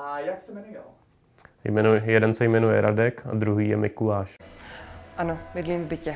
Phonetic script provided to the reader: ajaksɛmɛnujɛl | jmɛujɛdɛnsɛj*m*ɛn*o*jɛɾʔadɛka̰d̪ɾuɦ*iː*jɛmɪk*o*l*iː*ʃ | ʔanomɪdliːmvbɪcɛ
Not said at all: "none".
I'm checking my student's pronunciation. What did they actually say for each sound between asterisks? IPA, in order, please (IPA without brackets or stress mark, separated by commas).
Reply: m, u, iː, u, aː